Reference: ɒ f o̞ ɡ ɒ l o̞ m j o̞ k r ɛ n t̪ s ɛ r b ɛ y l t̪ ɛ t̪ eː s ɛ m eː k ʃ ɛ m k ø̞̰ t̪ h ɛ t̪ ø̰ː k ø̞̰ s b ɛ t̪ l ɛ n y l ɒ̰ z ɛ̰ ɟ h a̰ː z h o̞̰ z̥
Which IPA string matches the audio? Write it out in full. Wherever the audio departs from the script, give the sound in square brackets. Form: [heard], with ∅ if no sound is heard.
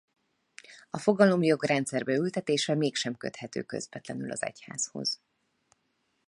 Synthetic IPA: ɒ f o̞ ɡ ɒ l o̞ m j o̞ [ɡ] r ɛ n t̪ s ɛ r b ɛ y l t̪ ɛ t̪ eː [ʃ] ɛ m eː k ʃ ɛ m k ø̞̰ t̪ h ɛ t̪ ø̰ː k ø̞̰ [z] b ɛ t̪ l ɛ n y l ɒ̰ z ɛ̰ [c] h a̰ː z h o̞̰ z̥